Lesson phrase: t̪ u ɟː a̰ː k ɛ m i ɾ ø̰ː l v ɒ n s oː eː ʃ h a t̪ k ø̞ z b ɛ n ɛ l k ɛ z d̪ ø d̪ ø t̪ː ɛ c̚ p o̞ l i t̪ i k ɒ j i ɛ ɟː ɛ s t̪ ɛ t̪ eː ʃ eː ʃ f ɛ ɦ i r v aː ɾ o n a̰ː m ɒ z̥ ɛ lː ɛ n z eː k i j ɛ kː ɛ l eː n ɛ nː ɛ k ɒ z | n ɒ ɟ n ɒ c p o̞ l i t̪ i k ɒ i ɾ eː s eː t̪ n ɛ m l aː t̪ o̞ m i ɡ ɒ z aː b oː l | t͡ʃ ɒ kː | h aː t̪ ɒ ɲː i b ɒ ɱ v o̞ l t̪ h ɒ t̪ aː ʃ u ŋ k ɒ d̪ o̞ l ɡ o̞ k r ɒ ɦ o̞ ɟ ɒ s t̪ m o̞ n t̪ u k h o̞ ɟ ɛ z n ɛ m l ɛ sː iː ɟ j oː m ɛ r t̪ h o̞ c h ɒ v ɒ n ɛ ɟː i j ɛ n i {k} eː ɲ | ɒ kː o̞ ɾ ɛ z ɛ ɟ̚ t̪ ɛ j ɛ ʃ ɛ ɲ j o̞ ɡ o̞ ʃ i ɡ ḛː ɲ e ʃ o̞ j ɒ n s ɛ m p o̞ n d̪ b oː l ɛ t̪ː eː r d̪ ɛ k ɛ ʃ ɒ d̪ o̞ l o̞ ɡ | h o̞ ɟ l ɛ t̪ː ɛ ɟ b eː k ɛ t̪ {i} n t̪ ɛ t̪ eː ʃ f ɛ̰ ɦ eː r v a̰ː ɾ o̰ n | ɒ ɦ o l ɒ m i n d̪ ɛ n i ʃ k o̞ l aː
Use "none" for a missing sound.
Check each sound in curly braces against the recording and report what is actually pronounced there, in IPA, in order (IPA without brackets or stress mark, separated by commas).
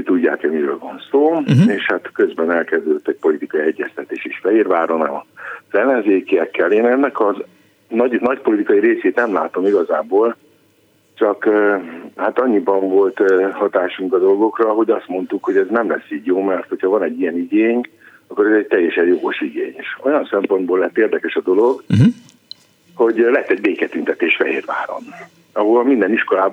ɡ, y